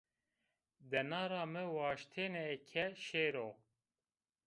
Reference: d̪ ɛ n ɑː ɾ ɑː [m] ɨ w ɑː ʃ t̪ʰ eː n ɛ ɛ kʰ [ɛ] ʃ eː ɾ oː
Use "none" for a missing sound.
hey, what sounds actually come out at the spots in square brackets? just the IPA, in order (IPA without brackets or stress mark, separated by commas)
m, ɛ